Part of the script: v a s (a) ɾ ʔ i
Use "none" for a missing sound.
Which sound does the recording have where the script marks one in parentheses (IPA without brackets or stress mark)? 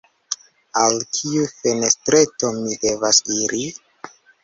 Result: i